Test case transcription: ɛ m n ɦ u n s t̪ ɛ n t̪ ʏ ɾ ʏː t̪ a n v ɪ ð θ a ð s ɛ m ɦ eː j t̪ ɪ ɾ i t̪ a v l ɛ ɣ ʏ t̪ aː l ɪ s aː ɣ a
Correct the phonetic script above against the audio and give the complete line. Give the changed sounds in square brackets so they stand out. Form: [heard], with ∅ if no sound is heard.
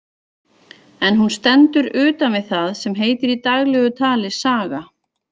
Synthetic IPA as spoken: ɛ [∅] n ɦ u n s t̪ ɛ n t̪ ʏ ɾ ʏː t̪ a n v ɪ ð θ a ð s ɛ m ɦ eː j t̪ ɪ ɾ i t̪ a [ɣ] l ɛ ɣ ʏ [t̪ʰ] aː l ɪ s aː ɣ a